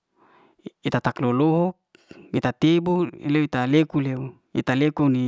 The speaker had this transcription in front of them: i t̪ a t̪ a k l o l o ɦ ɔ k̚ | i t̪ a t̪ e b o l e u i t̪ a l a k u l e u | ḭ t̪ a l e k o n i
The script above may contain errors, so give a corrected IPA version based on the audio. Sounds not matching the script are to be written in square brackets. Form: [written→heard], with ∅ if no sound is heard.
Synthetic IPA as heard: i t̪ a t̪ a k l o l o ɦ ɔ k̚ | i t̪ a t̪ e b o l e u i t̪ a l [a→e] k u l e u | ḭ t̪ a l e k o n i